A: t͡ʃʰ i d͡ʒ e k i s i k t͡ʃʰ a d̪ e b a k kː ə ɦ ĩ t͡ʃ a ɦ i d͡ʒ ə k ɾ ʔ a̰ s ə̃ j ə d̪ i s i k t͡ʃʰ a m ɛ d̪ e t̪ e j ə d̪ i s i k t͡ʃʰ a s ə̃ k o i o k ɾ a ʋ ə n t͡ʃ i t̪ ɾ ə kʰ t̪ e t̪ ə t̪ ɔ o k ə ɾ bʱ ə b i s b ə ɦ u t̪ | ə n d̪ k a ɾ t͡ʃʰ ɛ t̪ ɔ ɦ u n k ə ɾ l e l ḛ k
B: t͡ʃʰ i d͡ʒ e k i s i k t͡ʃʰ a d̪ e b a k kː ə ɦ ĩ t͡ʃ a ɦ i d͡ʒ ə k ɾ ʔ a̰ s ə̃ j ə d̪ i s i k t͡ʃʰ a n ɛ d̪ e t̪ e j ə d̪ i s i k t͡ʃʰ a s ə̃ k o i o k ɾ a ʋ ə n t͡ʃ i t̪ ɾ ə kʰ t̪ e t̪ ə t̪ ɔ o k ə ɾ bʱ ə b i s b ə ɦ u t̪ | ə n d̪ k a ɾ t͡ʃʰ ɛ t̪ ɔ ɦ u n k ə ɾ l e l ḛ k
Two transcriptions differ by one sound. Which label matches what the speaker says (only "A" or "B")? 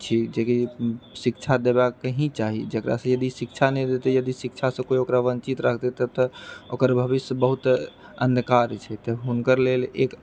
B